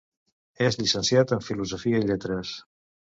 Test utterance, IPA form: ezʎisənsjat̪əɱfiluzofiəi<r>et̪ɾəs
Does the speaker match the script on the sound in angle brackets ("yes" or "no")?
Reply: no